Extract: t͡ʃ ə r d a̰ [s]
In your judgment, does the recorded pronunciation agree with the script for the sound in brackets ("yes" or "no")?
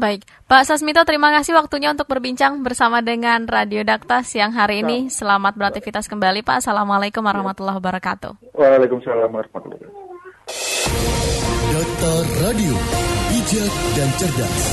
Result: yes